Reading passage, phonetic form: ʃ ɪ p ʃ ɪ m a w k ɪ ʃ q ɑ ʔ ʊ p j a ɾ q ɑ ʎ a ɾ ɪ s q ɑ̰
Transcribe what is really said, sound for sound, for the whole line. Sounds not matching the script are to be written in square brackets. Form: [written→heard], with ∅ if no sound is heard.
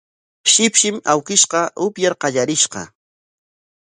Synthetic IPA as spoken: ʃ ɪ p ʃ ɪ m a w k ɪ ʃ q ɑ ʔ ʊ p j a ɾ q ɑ ʎ a ɾ ɪ [s→ʃ] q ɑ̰